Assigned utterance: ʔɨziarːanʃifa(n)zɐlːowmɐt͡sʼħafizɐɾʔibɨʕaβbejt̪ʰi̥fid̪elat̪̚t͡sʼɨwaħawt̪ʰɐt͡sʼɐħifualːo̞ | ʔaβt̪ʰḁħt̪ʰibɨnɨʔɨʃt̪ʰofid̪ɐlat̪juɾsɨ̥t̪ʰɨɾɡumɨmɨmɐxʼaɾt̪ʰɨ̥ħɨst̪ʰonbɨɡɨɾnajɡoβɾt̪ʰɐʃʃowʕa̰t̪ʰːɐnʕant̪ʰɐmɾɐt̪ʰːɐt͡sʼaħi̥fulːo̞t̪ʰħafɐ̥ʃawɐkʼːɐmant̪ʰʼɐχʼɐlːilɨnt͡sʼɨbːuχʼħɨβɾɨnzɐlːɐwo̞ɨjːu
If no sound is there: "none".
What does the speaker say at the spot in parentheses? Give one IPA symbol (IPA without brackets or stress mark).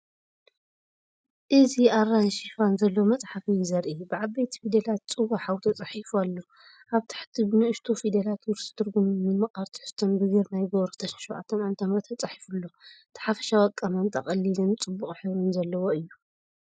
n